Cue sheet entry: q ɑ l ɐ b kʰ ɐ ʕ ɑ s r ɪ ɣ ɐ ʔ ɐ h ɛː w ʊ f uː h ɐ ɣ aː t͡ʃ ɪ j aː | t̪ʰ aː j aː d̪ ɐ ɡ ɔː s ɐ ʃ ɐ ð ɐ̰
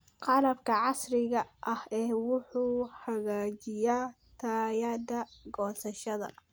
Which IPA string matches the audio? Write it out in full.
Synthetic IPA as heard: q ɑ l ɐ b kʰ ɐ ʕ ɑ s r ɪ ɣ ɐ ʔ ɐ h ɛː w ʊ ħ uː h ɐ ɣ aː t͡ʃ ɪ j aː | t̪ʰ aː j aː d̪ ɐ ɡ ɔː s ɐ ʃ ɐ ð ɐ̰